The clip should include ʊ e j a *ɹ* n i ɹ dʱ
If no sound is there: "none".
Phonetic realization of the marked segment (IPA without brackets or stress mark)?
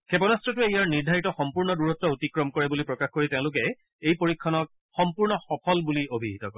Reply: ɹ